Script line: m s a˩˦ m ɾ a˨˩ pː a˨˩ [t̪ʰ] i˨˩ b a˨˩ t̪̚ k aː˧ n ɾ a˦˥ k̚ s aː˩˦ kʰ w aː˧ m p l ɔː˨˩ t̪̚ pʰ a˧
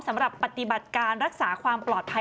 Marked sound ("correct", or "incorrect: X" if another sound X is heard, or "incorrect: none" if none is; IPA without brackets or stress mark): incorrect: t̪